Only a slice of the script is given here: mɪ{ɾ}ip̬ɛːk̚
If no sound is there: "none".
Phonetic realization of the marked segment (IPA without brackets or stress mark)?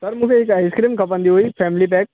l